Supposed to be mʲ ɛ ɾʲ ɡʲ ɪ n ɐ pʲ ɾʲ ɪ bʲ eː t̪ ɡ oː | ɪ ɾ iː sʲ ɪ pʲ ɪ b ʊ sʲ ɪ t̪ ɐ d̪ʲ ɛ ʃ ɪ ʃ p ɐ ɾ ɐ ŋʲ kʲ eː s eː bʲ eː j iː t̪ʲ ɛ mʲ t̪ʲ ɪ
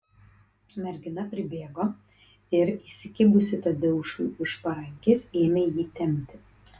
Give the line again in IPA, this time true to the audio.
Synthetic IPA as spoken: mʲ ɛ ɾʲ ɡʲ ɪ n ɐ pʲ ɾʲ ɪ bʲ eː ɡ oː | ɪ ɾ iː sʲ ɪ kʲ ɪ b ʊ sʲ ɪ t̪ ɐ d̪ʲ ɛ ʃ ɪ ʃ p ɐ ɾ ɐ ŋʲ kʲ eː s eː mʲ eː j iː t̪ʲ ɛ mʲ t̪ʲ ɪ